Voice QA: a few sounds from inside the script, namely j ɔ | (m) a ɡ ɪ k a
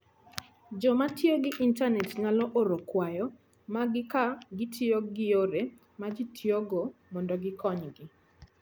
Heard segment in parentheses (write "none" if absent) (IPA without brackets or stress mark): m